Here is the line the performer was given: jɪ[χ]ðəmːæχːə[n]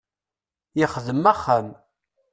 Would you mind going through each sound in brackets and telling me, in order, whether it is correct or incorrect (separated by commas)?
correct, incorrect